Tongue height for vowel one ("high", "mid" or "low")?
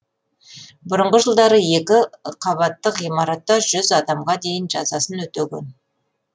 high